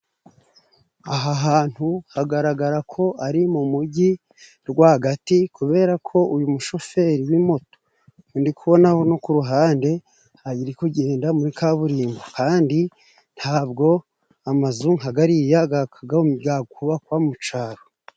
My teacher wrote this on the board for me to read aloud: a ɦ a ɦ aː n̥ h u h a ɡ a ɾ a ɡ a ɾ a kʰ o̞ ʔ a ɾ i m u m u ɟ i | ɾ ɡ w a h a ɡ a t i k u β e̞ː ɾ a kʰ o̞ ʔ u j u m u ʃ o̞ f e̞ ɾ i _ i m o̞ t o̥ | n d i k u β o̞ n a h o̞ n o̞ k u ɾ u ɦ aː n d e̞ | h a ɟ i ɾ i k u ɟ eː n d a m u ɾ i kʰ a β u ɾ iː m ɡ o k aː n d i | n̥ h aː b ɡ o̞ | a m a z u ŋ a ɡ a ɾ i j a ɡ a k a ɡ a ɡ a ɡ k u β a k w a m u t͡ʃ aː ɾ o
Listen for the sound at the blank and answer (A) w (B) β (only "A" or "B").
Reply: A